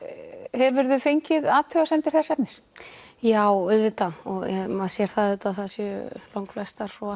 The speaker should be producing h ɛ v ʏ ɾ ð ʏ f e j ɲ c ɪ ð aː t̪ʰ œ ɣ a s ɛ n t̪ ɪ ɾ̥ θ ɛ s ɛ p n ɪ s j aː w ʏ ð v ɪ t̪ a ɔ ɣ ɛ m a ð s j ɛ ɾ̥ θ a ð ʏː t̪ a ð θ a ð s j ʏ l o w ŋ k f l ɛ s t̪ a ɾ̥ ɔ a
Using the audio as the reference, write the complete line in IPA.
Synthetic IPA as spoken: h ɛ v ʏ ɾ ð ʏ f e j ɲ c ɪ ð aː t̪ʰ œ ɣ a s ɛ n t̪ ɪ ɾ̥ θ ɛ s ɛ p n ɪ s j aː w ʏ ð v ɪ t̪ a ɔ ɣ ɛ m a ð s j ɛ ɾ̥ θ a ð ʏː t̪ a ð θ a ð s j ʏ l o w ŋ k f l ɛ s t̪ a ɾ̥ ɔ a